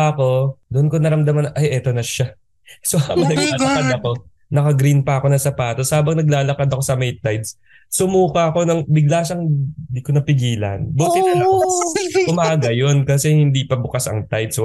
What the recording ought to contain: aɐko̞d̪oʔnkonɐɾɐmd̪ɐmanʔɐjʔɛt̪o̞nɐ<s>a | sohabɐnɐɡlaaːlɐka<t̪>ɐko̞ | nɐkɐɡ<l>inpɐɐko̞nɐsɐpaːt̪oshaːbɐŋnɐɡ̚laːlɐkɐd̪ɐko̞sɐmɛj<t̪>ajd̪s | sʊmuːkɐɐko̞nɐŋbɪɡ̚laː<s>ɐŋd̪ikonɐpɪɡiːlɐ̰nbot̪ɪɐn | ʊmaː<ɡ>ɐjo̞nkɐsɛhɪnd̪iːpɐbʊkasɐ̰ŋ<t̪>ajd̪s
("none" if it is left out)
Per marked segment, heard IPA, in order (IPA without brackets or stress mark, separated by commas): ʃ, d̪, ɾ, t̪, ʃ, ɡ, t̪